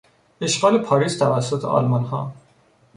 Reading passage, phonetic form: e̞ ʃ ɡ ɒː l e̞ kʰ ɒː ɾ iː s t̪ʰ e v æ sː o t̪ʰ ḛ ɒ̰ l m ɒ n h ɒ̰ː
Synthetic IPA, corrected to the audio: e̞ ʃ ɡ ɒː l e̞ pʰ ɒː ɾ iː s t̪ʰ æ v æ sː o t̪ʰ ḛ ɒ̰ l m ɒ n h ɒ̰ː

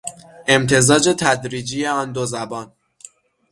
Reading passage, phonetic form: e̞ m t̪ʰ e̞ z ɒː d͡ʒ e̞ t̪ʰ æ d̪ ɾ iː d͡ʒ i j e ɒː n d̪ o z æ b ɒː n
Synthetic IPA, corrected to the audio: e̞ m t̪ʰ e̞ z ɒː d͡ʒ e̞ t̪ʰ æ d̪ ɾ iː d͡ʒ i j e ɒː n d̪ o z æ b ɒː n

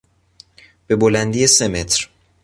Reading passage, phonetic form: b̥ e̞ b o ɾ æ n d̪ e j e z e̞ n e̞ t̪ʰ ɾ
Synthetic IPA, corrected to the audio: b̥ e̞ b o l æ n d̪ i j e s e̞ m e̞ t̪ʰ ɾ

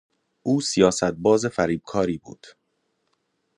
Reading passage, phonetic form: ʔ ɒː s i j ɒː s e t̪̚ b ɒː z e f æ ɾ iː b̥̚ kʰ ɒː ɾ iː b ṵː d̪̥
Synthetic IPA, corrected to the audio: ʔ uː s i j ɒː s æ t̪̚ b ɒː z e f æ ɾ iː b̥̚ kʰ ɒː ɾ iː b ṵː d̪̥

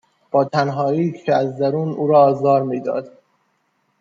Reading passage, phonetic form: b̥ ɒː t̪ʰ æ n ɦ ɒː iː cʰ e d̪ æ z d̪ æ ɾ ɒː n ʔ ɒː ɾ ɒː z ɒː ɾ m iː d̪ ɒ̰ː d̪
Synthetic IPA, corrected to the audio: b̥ ɒː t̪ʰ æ n ɦ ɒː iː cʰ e æ z d̪ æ ɾ uː n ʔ uː ɾ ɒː z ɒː ɾ m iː d̪ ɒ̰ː d̪

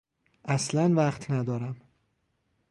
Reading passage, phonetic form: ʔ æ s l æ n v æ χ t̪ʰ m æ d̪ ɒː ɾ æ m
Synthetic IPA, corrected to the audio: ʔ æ s l æ n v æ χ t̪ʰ n æ d̪ ɒː ɾ æ m

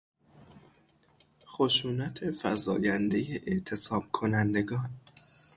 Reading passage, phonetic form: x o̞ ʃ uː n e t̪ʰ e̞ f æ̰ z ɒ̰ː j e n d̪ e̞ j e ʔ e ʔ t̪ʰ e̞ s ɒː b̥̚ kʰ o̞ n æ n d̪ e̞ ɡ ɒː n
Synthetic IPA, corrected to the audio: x o̞ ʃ uː n æ t̪ʰ e̞ f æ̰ z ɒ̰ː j æ n d̪ e̞ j e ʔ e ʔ t̪ʰ e̞ s ɒː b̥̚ kʰ o̞ n æ n d̪ e̞ ɡ ɒː n

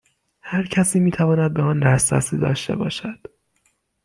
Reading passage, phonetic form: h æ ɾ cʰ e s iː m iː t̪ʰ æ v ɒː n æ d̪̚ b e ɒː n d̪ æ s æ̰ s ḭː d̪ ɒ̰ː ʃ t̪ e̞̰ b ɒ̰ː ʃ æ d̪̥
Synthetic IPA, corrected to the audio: h æ ɾ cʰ æ s iː m iː t̪ʰ æ v ɒː n æ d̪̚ b e ɒː n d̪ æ s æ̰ s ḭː d̪ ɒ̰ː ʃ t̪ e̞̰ b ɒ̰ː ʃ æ d̪̥

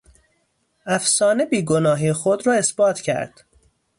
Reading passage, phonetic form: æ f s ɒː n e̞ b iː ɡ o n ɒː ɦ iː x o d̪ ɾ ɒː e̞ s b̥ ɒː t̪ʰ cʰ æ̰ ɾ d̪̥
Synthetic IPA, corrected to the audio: æ f s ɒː n e̞ b iː ɡ o n ɒː ɦ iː x o d̪ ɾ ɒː e̞ s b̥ ɒː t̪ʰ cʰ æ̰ ɾ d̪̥

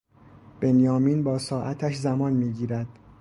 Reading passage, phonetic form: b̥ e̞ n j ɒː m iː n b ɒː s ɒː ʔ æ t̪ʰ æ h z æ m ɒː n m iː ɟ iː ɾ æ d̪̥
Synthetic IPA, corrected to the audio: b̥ e̞ n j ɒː m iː n b ɒː s ɒː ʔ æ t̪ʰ æ ʃ z æ m ɒː n m iː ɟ iː ɾ æ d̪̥

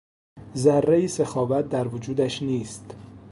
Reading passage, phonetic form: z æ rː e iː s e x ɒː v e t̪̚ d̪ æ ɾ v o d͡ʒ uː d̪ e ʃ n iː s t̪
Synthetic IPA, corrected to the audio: z æ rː e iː s e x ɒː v æ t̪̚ d̪ æ ɾ v o d͡ʒ uː d̪ æ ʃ n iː s t̪

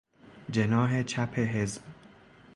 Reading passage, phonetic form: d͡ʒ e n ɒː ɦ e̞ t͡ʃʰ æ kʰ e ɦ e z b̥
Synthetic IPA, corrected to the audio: d͡ʒ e n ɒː ɦ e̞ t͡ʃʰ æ pʰ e ɦ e z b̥

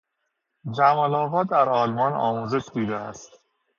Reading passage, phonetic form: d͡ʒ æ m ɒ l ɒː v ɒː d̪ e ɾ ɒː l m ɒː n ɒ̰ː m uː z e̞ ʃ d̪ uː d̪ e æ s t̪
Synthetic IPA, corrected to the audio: d͡ʒ æ m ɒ l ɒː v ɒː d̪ æ ɾ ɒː l m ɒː n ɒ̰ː m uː z e̞ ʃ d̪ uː d̪ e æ s t̪

